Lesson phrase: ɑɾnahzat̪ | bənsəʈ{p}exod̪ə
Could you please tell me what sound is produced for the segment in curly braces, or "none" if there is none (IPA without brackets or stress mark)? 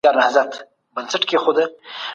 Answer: k